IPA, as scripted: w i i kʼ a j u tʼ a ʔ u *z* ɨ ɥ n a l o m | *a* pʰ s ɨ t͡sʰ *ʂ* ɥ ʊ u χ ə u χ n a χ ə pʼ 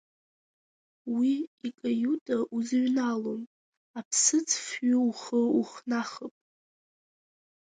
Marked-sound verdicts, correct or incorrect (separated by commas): correct, correct, incorrect